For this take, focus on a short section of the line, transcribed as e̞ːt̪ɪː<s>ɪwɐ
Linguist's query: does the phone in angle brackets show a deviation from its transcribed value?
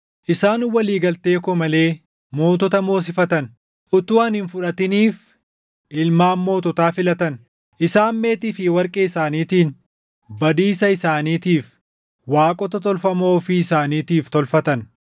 yes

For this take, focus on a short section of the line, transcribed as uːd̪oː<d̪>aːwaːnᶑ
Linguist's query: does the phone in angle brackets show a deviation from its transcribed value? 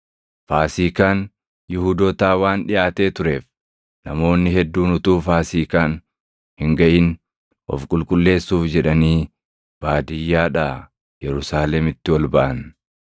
yes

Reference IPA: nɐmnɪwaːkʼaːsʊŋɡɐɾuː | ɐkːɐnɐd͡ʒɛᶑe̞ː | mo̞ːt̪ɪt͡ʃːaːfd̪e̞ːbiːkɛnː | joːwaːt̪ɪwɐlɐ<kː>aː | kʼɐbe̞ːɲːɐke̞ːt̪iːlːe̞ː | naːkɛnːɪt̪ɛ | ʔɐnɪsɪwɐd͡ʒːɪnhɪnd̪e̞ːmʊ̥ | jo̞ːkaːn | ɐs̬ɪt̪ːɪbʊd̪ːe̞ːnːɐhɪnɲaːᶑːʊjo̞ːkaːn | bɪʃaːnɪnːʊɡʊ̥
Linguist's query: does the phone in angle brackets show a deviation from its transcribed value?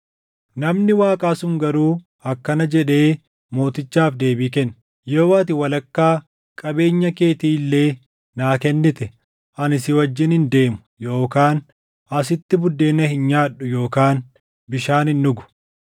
no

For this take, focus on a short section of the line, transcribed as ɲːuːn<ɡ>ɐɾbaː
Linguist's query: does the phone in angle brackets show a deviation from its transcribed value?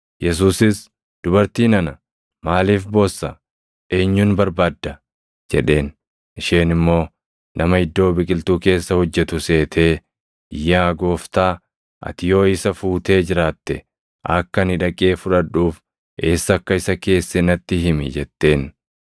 yes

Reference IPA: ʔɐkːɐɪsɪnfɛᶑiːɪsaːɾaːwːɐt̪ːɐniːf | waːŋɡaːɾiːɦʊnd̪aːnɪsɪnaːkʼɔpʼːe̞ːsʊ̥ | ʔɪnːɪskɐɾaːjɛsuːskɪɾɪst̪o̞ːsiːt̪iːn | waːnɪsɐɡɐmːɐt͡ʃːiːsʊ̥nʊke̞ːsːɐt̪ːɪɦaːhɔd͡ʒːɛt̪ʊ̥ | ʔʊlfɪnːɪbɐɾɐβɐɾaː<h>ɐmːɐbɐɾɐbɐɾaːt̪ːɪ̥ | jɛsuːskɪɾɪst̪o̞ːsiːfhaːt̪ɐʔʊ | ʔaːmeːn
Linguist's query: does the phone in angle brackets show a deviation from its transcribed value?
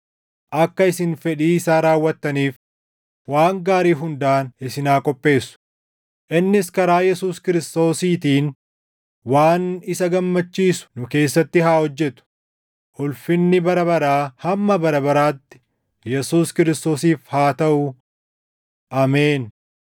no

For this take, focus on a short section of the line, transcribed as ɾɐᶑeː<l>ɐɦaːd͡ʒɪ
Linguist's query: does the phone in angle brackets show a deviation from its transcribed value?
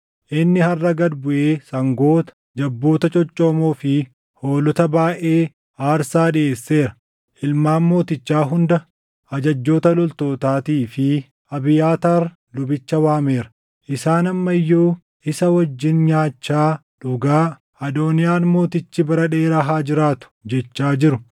yes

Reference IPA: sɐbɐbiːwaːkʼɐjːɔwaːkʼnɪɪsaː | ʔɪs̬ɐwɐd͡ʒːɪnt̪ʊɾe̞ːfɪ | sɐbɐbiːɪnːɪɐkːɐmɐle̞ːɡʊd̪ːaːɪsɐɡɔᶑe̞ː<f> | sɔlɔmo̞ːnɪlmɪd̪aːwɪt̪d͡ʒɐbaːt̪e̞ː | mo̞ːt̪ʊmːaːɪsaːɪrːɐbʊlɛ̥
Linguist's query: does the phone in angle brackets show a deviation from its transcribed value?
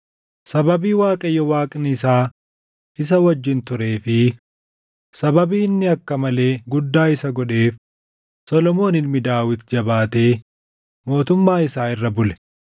no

